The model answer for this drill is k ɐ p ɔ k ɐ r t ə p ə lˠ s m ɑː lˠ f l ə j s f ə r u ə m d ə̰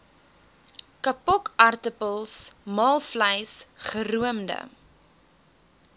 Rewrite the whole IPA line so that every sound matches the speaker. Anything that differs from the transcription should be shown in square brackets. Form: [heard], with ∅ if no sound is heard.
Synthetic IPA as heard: k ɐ p ɔ k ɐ r t ə p ə lˠ s m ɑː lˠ f l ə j s [χ] ə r u ə m d ə̰